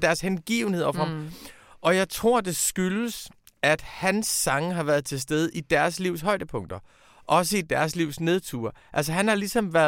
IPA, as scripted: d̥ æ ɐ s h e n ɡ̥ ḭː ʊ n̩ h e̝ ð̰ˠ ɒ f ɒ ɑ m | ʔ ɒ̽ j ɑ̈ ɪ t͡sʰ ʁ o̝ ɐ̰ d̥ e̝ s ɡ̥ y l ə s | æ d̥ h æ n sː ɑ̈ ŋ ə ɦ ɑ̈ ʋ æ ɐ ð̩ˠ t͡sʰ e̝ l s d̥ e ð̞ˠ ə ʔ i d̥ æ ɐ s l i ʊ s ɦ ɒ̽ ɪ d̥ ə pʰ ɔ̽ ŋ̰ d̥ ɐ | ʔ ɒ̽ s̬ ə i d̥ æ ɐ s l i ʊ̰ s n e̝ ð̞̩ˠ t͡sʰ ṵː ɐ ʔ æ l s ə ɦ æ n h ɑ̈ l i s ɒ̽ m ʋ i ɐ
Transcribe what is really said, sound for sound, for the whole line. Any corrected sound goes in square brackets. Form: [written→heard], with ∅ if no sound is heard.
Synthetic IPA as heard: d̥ æ ɐ s h e n ɡ̥ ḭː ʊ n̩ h e̝ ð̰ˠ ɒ f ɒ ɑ m | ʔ ɒ̽ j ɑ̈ ɪ t͡sʰ ʁ o̝ ɐ̰ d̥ e̝ s ɡ̥ y l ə s | æ d̥ h æ n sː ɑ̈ ŋ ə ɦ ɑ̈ ʋ æ ɐ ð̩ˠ t͡sʰ e̝ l s d̥ e ð̞ˠ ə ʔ i d̥ æ ɐ s l i ʊ s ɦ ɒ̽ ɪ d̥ ə pʰ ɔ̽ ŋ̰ d̥ ɐ | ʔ ɒ̽ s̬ ə i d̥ æ ɐ s l i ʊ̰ s n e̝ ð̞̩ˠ t͡sʰ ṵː ɐ ʔ æ l s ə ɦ æ n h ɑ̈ l i s ɒ̽ m ʋ [i→æ] ɐ